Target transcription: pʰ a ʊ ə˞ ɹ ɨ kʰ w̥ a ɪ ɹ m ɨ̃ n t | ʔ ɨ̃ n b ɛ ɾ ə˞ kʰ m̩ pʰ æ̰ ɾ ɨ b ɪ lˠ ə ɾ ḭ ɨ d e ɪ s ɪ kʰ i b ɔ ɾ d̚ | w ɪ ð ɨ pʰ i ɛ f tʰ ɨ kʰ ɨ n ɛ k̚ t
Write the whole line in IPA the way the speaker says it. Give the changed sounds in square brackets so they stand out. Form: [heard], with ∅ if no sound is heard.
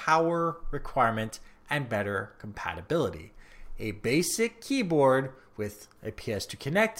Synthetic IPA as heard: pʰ a ʊ ə˞ ɹ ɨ kʰ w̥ a ɪ ɹ m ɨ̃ n t | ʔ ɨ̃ n b ɛ ɾ ə˞ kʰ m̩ pʰ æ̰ ɾ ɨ b ɪ lˠ ə ɾ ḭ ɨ [b] e ɪ s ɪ kʰ i b ɔ [ɹ] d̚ | w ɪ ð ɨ pʰ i ɛ [s] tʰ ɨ kʰ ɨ n ɛ k̚ t